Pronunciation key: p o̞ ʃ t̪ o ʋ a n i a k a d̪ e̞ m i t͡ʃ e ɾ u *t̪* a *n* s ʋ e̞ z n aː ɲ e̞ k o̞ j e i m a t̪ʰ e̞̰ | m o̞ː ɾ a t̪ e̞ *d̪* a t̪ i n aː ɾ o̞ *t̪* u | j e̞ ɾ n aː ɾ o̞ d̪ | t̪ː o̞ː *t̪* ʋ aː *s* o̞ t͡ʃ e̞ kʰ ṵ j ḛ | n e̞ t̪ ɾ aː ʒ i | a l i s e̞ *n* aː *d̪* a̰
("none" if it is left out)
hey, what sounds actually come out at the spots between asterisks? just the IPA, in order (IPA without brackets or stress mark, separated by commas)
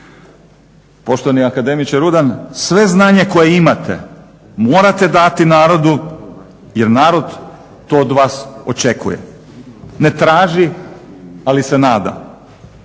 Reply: d̪, n, d̪, d̪, d̪, s, n, d̪